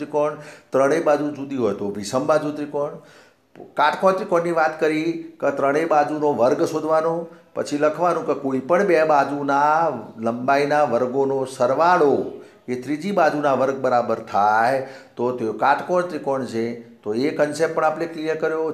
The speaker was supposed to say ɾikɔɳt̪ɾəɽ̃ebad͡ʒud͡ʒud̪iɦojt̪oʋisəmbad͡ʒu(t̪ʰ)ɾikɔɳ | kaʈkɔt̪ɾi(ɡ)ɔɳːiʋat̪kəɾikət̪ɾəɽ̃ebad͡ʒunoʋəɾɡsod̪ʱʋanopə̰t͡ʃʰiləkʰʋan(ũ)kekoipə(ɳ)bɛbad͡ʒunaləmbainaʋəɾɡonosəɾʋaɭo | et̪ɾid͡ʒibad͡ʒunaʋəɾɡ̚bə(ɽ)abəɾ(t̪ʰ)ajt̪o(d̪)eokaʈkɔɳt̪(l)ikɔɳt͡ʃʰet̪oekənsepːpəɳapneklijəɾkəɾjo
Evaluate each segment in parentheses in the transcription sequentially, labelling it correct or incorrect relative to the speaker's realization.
incorrect: t̪, incorrect: k, correct, correct, incorrect: ɾ, correct, incorrect: t̪, incorrect: ɾ

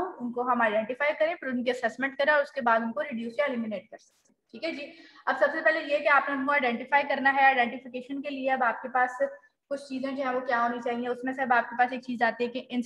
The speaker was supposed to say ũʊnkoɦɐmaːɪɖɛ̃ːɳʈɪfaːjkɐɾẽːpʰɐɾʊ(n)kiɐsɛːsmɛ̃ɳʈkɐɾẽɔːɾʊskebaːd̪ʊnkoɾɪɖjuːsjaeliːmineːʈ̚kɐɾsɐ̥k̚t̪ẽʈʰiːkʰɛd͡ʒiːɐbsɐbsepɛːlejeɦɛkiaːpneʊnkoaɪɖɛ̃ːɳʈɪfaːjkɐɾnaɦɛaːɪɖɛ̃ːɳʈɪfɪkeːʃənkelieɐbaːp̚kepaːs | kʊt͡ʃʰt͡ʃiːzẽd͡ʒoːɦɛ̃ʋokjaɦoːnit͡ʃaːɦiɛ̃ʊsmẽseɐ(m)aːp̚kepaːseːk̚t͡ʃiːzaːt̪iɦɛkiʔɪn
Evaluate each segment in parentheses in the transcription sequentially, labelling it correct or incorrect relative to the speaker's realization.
correct, incorrect: b

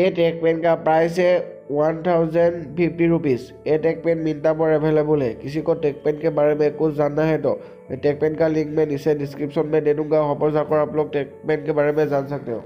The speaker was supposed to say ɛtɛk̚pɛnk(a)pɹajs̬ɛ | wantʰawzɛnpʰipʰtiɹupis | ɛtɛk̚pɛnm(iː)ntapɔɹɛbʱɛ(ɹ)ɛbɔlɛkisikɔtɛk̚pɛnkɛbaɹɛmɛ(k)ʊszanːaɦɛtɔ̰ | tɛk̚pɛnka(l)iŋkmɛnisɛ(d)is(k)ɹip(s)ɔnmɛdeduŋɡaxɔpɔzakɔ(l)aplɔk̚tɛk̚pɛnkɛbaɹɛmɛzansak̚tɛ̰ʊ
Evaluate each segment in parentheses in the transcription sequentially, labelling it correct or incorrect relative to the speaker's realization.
correct, incorrect: i, incorrect: l, correct, correct, correct, correct, correct, incorrect: ɹ

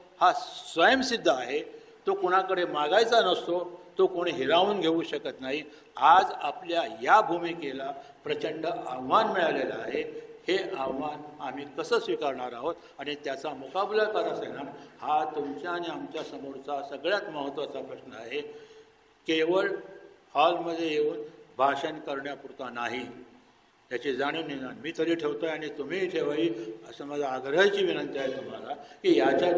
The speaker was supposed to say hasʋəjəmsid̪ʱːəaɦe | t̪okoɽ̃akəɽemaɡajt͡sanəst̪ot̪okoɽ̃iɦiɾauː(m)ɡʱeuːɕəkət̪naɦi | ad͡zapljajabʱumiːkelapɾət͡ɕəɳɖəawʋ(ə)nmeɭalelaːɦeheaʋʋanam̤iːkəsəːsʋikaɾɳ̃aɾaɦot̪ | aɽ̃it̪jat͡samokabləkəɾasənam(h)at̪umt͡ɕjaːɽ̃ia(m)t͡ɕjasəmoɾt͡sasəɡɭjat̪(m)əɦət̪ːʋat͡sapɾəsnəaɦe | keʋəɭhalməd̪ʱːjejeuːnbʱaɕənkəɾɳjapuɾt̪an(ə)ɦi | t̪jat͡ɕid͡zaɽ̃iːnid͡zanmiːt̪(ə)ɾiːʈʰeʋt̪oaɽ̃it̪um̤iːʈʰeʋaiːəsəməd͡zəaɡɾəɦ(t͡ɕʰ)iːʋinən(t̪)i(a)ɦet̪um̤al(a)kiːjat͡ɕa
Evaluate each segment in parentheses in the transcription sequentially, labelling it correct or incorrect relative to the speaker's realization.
incorrect: n, incorrect: a, correct, correct, correct, incorrect: a, correct, incorrect: t͡ɕ, correct, correct, correct

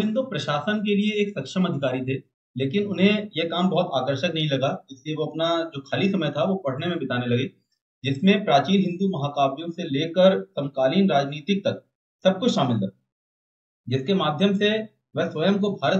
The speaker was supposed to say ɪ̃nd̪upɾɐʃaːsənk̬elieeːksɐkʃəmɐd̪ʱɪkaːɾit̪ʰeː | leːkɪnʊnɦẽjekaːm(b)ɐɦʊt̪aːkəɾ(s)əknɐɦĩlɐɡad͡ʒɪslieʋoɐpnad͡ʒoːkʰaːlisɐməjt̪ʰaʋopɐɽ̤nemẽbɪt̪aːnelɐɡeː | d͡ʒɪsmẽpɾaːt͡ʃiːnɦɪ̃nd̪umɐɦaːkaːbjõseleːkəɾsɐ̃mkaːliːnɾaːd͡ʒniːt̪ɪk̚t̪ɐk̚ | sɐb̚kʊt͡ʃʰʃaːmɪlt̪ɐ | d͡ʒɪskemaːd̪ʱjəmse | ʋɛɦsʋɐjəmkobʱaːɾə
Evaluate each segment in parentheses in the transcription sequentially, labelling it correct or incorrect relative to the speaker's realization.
correct, incorrect: ʃ

